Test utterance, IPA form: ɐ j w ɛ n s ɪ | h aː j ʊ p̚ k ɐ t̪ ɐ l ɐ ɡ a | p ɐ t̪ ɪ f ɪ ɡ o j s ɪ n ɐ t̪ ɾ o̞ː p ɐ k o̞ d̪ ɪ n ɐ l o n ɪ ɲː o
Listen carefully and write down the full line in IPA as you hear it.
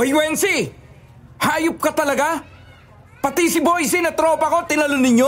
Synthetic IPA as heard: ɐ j w ɛ n s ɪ | h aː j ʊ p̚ k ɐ t̪ ɐ l ɐ ɡ a | p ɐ t̪ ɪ s ɪ b o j s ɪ n ɐ t̪ ɾ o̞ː p ɐ k o̞ t̪ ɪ n ɐ l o n ɪ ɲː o